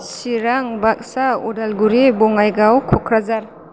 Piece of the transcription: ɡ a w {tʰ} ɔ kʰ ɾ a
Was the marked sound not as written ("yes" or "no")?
yes